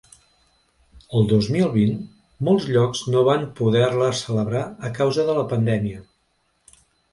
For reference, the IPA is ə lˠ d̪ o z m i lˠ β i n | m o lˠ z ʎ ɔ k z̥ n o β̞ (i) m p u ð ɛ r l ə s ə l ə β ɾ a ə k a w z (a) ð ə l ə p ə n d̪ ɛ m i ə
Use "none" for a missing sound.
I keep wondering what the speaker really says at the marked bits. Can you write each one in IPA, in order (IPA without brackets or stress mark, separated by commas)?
a, ə